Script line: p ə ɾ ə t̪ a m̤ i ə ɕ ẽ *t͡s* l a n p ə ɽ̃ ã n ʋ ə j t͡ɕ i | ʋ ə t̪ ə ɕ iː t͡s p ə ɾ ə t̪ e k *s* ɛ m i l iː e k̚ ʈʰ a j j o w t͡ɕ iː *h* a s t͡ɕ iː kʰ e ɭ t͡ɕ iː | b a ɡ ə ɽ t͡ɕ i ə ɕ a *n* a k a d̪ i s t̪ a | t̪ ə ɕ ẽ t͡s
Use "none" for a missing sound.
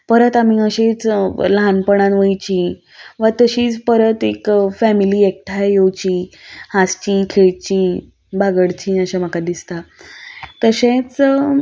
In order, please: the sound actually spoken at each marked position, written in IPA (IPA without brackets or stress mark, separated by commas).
t͡s, f, h, m